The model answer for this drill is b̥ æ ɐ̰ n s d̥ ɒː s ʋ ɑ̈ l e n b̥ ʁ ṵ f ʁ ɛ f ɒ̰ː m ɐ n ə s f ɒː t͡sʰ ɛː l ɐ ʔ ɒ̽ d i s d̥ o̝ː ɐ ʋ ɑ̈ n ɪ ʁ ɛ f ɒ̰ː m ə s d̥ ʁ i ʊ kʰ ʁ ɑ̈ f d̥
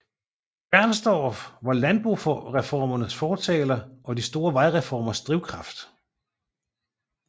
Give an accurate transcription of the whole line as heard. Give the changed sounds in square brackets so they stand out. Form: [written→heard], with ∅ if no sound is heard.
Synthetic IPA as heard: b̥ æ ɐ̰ n s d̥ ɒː [s→f] ʋ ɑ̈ l [e→æ] n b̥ ʁ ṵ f ʁ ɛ f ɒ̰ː m ɐ n ə s f ɒː t͡sʰ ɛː l ɐ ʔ ɒ̽ d i s d̥ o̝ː ɐ ʋ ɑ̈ [n→∅] ɪ ʁ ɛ f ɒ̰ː m [ə→ɐ] s d̥ ʁ i ʊ kʰ ʁ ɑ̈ f d̥